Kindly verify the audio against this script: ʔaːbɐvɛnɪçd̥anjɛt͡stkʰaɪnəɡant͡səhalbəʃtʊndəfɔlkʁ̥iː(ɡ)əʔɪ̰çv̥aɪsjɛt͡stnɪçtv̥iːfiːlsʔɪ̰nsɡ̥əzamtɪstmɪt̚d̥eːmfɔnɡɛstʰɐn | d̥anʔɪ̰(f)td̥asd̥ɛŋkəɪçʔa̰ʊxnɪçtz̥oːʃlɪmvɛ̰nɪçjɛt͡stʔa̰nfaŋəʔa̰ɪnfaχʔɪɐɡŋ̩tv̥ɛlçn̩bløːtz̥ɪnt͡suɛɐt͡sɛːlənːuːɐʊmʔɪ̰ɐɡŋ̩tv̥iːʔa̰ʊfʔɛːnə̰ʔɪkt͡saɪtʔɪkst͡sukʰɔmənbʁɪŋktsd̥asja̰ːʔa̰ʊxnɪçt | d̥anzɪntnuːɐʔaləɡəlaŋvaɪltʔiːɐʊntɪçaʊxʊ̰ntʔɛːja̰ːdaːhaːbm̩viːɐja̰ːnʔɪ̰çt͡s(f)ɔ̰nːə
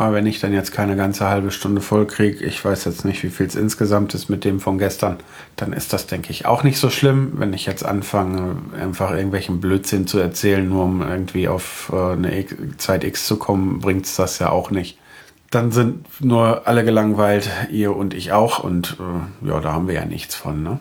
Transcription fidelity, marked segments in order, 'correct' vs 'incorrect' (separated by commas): correct, incorrect, correct